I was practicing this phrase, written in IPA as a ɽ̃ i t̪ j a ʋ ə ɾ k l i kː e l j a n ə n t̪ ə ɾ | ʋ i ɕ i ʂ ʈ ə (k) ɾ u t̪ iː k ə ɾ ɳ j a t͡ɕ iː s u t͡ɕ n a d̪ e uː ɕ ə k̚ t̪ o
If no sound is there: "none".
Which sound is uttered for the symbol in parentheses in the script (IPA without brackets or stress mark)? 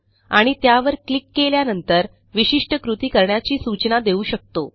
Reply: k